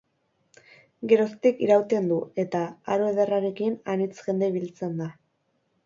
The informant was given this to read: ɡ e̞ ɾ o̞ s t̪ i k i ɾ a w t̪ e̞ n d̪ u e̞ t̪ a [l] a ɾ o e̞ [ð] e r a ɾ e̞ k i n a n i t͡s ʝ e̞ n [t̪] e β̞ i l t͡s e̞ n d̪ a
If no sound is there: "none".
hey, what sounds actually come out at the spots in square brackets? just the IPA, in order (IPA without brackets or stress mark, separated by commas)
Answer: none, ð, d̪